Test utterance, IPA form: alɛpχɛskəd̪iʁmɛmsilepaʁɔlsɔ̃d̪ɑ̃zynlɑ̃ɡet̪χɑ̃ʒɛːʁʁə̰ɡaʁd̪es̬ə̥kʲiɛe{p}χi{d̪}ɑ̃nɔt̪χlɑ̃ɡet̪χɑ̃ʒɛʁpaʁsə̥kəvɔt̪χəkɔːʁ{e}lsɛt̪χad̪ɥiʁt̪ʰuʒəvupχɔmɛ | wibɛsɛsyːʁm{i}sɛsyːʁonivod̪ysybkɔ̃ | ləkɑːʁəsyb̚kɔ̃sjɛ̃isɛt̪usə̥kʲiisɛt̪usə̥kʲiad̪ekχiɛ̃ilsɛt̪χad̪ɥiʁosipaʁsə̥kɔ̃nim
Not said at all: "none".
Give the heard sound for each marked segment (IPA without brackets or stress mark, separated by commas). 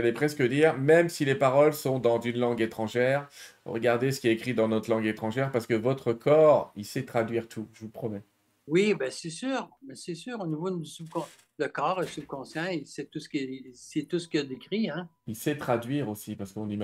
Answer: k, d̪, i, ɛ